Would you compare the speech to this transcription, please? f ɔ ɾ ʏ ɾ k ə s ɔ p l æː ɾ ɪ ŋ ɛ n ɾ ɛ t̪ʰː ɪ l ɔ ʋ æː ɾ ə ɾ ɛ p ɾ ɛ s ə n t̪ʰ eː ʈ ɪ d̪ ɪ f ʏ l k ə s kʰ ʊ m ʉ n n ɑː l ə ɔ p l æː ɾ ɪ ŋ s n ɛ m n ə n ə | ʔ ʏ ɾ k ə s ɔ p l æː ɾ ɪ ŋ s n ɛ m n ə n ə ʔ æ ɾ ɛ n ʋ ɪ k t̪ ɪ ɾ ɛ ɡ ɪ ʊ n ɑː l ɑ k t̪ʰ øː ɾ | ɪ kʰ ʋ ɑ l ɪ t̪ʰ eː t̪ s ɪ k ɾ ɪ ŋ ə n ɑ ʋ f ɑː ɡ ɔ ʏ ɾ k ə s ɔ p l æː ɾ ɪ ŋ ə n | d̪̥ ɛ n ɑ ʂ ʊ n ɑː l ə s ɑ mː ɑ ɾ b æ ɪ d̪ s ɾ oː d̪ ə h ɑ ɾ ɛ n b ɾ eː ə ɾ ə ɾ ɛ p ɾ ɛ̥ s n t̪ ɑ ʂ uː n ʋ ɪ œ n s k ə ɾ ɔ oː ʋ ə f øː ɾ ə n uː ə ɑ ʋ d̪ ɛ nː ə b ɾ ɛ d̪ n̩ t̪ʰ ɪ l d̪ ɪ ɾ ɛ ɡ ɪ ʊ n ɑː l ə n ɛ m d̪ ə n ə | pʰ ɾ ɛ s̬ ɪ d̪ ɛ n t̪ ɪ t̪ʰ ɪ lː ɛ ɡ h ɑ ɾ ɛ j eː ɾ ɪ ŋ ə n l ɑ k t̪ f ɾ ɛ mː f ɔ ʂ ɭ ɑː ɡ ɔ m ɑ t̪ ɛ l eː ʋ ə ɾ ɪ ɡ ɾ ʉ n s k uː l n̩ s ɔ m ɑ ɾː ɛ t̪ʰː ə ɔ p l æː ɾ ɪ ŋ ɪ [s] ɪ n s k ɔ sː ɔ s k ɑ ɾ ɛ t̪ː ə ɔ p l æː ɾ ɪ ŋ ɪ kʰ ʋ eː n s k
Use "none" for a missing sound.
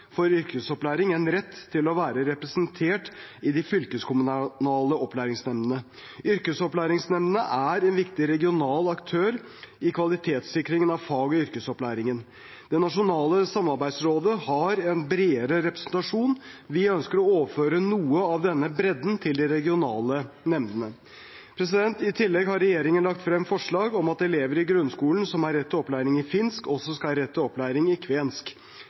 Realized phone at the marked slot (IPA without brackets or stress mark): f